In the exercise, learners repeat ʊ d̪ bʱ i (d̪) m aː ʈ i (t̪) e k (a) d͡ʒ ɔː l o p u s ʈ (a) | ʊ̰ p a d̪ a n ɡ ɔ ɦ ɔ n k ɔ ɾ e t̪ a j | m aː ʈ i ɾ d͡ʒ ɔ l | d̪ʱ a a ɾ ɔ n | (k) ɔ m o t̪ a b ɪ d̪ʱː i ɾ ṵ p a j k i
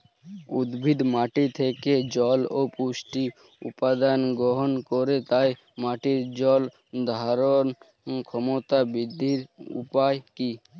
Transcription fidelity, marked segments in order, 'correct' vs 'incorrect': correct, incorrect: t̪ʰ, incorrect: e, incorrect: i, incorrect: kʰ

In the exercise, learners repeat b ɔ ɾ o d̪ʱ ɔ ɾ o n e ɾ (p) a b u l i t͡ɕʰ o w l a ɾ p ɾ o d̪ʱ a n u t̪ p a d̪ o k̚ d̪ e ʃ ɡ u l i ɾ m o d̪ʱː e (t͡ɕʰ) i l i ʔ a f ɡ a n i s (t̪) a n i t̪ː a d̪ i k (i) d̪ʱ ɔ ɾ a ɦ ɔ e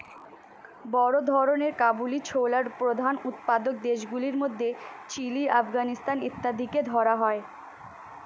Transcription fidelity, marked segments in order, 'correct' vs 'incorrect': incorrect: k, incorrect: t͡ɕ, correct, incorrect: e

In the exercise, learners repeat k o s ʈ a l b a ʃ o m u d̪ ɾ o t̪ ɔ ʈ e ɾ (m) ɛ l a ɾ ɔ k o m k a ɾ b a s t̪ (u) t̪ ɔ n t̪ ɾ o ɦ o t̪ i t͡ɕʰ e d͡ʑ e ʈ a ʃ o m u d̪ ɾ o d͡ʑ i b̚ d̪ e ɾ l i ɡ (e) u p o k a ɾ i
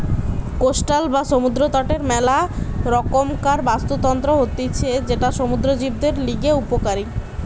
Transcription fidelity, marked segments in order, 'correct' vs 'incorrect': correct, incorrect: o, correct

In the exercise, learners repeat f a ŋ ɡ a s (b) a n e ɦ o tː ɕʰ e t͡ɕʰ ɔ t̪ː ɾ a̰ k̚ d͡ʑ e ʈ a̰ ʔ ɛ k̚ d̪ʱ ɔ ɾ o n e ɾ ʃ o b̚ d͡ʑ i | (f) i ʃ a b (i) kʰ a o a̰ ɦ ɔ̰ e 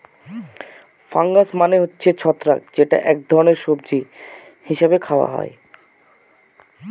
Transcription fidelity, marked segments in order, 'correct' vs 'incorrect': incorrect: m, incorrect: h, incorrect: e

